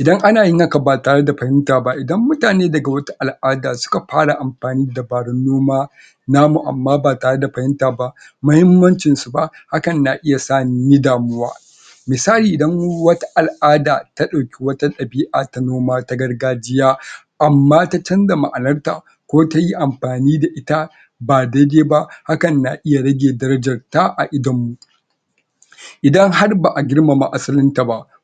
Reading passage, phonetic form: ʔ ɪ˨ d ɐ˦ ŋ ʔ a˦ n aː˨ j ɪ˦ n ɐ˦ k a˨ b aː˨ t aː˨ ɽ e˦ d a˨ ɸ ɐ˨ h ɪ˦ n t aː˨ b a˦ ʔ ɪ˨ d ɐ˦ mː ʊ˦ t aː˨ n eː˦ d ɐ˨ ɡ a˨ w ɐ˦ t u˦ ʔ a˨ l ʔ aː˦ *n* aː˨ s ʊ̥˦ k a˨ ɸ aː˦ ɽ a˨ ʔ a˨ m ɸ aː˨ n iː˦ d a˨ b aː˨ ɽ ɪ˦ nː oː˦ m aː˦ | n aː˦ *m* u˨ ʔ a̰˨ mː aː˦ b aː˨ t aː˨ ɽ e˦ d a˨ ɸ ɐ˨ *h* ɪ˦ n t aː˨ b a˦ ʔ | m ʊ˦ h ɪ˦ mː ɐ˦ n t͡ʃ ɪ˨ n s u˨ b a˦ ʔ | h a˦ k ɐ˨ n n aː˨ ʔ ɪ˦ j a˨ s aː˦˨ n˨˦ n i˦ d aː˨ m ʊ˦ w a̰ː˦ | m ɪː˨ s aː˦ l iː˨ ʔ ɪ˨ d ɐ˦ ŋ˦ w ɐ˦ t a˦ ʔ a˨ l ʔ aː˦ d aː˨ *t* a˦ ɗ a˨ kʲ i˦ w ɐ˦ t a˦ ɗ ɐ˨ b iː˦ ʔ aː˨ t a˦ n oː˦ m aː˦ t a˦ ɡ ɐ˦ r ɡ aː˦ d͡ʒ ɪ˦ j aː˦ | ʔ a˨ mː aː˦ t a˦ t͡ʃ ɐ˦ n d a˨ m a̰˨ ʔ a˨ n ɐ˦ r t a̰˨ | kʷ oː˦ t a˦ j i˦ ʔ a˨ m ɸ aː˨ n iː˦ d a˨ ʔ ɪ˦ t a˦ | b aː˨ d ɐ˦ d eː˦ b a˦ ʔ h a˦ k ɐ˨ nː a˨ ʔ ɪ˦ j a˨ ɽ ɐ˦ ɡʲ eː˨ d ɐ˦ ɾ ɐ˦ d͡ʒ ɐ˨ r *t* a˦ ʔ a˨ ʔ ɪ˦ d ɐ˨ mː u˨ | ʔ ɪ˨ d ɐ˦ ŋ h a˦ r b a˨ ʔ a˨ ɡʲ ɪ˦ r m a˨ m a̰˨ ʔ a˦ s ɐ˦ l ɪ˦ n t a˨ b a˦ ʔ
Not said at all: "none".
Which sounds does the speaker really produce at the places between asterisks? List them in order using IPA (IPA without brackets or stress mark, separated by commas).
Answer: d, m, h, t, t